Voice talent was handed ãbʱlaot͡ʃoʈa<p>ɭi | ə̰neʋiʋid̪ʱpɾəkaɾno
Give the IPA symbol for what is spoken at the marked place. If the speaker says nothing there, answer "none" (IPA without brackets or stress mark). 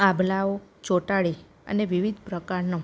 none